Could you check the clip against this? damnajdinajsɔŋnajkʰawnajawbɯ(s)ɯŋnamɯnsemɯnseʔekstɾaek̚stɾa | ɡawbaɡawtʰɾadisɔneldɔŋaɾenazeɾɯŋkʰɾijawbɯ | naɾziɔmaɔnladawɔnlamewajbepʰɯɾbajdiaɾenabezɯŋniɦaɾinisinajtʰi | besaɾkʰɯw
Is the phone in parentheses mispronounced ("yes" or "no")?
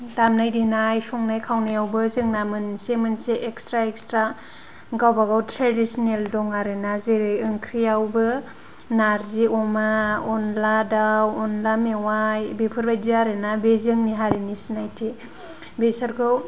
yes